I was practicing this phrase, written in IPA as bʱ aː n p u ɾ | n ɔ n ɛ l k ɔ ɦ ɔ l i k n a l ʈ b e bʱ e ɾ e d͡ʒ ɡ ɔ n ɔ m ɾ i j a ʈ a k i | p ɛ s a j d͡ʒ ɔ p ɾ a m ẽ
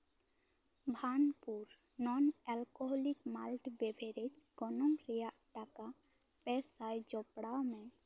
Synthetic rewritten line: bʱ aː n p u ɾ | n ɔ n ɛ l k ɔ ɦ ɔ l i k m a l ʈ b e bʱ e ɾ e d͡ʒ ɡ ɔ n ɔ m ɾ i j a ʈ a k a | p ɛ s a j d͡ʒ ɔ p ɽ a m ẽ